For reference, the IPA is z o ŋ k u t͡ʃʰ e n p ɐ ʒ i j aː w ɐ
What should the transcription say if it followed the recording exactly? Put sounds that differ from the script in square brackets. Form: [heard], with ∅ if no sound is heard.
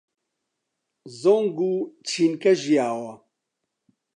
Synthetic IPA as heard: z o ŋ [ɡ] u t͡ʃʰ [i] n [k] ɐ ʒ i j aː w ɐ